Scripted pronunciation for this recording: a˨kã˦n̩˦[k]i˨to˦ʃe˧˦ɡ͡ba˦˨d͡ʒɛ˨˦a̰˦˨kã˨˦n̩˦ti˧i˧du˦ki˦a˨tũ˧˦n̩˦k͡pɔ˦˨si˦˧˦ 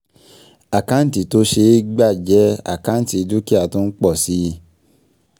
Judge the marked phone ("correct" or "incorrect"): incorrect